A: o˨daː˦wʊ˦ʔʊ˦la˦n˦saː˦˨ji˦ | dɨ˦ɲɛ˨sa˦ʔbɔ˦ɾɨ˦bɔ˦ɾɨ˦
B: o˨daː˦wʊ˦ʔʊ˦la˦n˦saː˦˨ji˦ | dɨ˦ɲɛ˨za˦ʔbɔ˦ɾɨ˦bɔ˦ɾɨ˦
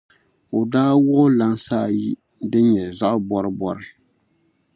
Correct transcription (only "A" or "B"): B